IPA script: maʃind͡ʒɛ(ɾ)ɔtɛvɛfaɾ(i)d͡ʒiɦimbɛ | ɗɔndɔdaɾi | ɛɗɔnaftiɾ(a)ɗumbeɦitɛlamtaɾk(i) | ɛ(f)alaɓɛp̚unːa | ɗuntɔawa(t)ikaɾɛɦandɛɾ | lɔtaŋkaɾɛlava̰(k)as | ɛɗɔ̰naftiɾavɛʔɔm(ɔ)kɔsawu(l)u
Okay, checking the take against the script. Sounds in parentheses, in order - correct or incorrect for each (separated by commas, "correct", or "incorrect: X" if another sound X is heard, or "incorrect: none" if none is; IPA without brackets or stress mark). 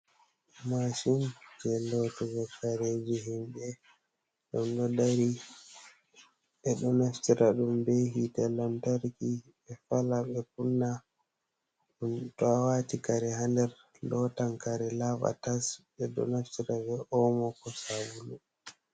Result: incorrect: l, incorrect: e, correct, correct, correct, correct, incorrect: t, correct, correct